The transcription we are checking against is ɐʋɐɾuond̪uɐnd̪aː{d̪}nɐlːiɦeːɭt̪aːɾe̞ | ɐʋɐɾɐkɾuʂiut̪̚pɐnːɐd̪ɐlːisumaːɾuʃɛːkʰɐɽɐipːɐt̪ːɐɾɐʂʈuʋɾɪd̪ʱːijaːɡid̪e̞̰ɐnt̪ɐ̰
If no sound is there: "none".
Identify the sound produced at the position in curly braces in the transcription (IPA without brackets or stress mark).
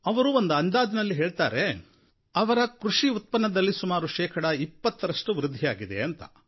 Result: d̪